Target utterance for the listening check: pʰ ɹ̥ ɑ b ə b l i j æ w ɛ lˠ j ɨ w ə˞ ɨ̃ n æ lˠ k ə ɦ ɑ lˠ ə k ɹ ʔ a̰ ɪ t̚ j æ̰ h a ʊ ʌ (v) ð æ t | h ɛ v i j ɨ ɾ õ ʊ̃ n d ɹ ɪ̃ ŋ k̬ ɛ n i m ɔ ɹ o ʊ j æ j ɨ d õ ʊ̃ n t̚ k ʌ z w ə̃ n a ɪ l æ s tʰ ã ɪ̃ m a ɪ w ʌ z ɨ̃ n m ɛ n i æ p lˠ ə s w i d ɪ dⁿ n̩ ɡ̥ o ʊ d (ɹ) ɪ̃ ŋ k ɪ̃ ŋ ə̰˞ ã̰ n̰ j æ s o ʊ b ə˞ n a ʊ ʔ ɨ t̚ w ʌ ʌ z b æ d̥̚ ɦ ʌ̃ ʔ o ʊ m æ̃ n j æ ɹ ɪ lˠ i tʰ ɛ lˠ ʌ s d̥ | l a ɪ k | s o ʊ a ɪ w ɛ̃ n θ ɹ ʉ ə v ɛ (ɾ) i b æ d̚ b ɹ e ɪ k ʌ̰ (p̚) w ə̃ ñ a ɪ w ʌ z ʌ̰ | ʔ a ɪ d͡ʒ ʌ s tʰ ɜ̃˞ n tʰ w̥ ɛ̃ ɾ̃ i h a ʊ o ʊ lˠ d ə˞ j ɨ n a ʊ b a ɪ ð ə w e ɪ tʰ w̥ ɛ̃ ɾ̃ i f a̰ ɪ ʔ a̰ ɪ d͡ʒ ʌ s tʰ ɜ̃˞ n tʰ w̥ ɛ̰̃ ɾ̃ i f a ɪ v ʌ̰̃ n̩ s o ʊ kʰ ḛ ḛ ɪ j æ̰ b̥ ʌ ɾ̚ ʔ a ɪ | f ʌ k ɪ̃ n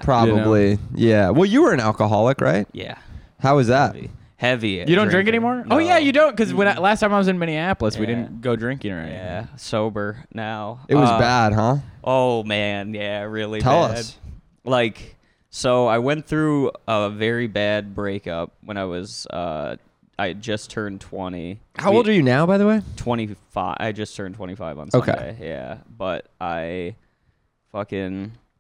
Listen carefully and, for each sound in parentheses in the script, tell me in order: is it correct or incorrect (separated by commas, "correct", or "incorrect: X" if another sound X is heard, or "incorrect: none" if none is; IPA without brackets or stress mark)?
incorrect: z, correct, incorrect: ɹ, correct